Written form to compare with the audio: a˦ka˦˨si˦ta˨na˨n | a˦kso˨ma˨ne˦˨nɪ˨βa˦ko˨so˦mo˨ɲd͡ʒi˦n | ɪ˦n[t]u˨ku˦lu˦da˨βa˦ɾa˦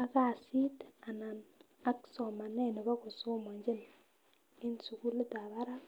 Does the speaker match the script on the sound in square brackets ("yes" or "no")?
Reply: no